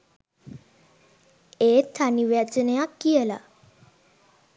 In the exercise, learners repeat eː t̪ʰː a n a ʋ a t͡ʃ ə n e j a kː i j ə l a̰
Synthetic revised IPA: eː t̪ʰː a n i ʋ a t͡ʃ ə n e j a kː i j ə l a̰